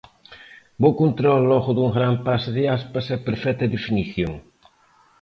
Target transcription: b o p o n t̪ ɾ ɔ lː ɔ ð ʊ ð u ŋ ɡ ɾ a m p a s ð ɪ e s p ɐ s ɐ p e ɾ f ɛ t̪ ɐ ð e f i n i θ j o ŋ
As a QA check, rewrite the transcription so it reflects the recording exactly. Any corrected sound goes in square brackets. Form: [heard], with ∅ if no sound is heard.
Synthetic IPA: b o [k] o n t̪ ɾ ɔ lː ɔ [ɣ] ʊ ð u ŋ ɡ ɾ a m p a s ð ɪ [a] s p ɐ s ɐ p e ɾ f ɛ t̪ ɐ ð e f i n i θ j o ŋ